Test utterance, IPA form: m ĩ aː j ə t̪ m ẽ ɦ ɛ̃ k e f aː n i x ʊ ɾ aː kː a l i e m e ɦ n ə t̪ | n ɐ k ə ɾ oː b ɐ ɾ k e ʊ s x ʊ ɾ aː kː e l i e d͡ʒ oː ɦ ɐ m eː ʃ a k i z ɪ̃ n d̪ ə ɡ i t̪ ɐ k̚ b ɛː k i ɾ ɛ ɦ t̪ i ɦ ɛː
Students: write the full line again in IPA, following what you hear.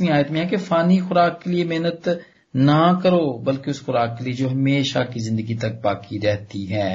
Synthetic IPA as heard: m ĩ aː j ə t̪ m ẽ ɦ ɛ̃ k e f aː n i x ʊ ɾ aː kː e l i e m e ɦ n ə t̪ | n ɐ k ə ɾ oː b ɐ l k e ʊ s x ʊ ɾ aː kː e l i e d͡ʒ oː ɦ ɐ m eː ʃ a k i z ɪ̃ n d̪ ə ɡ i t̪ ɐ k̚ b aː k i ɾ ɛ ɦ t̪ i ɦ ɛː